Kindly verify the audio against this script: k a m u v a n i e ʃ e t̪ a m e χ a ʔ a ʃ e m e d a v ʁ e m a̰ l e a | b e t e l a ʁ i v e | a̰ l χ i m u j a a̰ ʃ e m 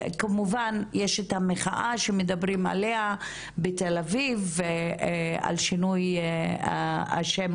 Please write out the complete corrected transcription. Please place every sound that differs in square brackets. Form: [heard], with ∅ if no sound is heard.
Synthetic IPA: k a m u v a n [j] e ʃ e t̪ a m e χ a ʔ a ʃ e m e d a [b] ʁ [i] m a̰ l e a | b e t e l a [v] i v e | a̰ l [ʃ] i [n] u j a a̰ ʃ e m